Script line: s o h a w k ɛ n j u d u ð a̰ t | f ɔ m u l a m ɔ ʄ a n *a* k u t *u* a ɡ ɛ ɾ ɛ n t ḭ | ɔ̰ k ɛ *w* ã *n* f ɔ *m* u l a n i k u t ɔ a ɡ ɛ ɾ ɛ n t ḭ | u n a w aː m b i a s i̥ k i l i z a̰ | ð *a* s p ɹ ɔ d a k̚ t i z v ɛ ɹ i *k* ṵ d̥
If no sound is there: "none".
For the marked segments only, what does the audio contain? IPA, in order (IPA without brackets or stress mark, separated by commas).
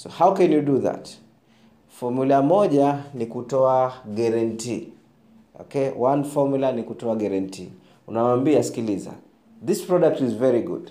i, ɔ, w, n, m, i, ɡ